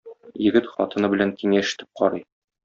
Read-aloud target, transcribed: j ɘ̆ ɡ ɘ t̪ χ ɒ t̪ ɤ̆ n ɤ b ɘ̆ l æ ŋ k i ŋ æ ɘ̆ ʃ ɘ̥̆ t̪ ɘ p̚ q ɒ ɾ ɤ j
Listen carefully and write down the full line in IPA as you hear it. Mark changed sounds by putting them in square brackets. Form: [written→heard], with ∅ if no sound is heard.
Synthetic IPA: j ɘ̆ ɡ ɘ t̪ χ ɒ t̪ ɤ̆ n ɤ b ɘ̆ l æ ŋ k i ŋ æ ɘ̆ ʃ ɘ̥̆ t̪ ɘ p̚ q ɒ ɾ ɤ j